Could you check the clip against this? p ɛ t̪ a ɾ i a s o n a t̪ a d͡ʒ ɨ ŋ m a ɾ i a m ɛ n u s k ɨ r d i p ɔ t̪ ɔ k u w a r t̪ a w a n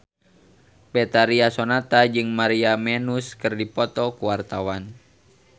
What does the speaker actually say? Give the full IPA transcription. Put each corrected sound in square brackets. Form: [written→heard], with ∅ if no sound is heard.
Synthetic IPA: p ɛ t̪ a ɾ i a s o n a t̪ a d͡ʒ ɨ ŋ m a ɾ i a m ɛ n u s k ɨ r d i p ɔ t̪ ɔ k u w a r t̪ a w a n